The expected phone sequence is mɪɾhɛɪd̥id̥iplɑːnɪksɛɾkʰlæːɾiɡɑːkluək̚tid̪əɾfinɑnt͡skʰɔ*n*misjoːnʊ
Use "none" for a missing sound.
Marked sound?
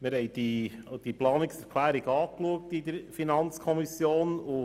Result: none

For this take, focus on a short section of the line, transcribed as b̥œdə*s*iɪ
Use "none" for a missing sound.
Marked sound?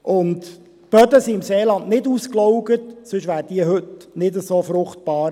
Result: s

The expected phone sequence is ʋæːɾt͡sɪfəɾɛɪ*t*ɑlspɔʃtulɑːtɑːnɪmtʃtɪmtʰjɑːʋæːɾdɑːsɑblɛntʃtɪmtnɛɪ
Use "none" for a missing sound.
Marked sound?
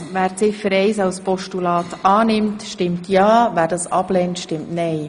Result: s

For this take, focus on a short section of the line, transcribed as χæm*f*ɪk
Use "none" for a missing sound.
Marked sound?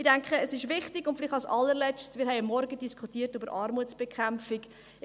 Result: f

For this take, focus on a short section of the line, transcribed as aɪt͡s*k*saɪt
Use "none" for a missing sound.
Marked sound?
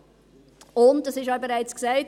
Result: k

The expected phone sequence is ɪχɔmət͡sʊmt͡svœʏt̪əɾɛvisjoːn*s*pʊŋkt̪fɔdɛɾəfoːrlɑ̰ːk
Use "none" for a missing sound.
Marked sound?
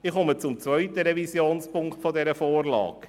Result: s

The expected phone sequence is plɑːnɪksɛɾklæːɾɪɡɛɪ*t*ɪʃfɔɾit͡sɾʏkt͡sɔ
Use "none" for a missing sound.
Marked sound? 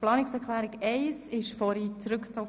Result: s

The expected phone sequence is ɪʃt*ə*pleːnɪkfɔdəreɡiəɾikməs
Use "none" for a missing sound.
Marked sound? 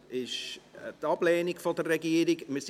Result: ɑ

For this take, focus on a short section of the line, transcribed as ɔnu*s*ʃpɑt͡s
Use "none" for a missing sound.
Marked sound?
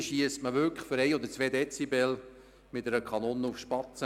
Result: f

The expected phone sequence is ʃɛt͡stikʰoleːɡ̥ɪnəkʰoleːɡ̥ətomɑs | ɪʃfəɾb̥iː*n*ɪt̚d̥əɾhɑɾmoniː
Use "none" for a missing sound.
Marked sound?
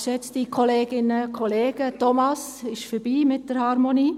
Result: m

